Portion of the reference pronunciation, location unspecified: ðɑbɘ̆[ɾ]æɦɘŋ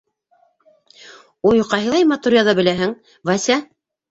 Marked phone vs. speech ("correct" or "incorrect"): incorrect